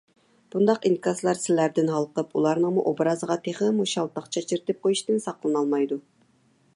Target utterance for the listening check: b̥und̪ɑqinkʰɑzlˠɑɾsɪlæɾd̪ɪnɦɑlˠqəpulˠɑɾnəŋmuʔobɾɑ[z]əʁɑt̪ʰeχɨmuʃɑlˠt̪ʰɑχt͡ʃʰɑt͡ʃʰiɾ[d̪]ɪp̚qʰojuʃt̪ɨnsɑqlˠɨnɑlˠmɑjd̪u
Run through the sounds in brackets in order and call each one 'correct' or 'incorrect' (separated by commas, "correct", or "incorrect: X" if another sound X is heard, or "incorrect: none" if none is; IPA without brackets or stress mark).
correct, incorrect: t̪